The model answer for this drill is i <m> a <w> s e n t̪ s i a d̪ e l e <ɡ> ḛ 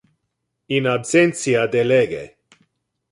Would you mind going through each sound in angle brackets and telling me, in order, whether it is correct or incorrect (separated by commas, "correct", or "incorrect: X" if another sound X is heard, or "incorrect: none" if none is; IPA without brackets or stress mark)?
incorrect: n, incorrect: b, correct